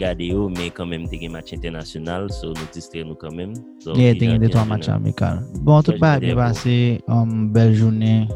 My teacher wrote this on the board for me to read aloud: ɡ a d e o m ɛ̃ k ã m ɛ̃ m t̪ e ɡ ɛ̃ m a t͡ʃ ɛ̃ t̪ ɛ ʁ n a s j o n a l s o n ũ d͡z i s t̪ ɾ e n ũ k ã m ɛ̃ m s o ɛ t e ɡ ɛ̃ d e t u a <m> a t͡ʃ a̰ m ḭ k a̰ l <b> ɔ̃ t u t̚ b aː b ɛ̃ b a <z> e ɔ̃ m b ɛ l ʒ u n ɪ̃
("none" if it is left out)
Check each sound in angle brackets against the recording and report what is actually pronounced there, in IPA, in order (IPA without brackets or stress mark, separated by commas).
m, b, s